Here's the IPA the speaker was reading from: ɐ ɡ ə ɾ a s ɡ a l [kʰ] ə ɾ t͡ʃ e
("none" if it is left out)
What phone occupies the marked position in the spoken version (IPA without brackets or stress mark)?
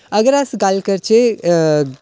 k